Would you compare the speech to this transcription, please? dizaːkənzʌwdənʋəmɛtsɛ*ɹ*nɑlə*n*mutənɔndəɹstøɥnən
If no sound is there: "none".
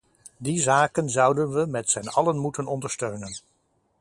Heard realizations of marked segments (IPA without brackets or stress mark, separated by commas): none, n